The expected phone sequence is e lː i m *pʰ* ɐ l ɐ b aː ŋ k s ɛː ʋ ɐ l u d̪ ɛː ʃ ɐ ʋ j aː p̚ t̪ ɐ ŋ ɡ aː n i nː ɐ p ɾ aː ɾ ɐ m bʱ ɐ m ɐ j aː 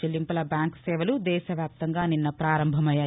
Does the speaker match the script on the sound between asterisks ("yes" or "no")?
no